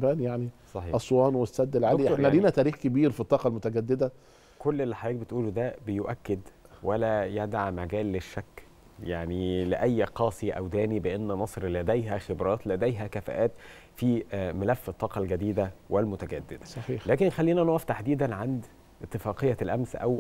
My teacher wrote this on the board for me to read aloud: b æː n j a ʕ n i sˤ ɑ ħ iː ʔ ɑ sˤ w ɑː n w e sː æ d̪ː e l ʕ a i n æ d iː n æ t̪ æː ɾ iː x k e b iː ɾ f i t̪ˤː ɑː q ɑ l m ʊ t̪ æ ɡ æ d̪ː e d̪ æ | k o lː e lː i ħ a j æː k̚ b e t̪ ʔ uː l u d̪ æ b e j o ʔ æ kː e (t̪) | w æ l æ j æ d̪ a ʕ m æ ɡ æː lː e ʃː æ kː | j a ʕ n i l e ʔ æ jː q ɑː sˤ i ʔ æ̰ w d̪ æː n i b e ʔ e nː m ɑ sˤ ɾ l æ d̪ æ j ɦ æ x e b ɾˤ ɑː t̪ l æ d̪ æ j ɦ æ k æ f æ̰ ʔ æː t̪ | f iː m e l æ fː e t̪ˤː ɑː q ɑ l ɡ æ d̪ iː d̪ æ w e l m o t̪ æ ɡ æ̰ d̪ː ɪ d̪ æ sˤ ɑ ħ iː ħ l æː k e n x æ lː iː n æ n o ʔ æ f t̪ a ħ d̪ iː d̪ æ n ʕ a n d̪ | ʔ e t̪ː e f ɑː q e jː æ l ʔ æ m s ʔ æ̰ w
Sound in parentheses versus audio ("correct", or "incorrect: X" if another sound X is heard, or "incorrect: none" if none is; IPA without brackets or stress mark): incorrect: d̪